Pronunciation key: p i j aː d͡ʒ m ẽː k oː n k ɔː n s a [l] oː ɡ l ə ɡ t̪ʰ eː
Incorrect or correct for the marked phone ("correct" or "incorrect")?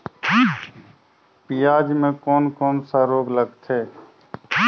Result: incorrect